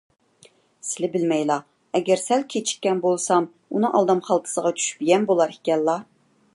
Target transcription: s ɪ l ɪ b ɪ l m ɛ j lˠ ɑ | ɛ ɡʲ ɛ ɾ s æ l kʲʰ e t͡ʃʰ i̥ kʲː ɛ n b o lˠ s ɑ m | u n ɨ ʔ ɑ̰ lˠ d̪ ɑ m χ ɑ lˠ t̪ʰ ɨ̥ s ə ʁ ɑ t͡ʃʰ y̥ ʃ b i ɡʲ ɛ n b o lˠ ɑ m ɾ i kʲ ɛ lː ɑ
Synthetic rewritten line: s ɪ l ɪ b ɪ l m ɛ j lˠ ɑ | ɛ ɡʲ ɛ ɾ s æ l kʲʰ e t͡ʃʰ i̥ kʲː ɛ n b o lˠ s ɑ m | u n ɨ ʔ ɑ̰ lˠ d̪ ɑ m χ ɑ lˠ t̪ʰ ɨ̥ s ə ʁ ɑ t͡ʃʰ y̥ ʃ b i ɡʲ ɛ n b o lˠ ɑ ɾ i kʲ ɛ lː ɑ